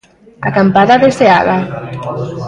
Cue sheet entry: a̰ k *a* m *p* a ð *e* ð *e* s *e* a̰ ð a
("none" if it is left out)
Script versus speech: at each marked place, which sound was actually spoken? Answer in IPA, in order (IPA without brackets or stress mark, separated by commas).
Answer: a, p, a, e, e